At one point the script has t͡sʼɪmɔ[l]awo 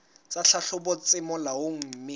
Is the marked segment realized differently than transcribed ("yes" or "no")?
no